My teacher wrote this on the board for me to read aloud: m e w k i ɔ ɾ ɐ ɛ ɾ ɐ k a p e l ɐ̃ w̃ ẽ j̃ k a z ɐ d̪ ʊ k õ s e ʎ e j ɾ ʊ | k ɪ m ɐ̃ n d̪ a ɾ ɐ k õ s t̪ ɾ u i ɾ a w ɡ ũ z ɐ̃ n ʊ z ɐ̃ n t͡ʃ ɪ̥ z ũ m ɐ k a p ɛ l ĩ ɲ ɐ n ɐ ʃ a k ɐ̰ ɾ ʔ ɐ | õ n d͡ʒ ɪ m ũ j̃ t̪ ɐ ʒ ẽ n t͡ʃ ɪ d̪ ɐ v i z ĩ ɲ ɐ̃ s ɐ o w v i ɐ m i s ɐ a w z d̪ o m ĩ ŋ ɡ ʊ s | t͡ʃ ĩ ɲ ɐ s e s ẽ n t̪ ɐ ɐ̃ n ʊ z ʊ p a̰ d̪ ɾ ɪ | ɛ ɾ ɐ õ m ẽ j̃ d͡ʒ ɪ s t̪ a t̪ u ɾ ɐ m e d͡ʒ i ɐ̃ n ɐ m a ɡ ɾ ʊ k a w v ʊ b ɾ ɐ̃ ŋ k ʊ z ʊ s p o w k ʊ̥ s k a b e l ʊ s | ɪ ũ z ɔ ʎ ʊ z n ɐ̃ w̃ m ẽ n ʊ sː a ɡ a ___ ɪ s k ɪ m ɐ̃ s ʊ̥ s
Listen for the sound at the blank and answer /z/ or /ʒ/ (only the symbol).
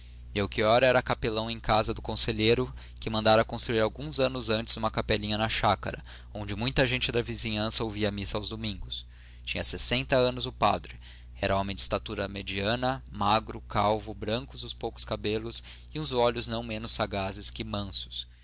z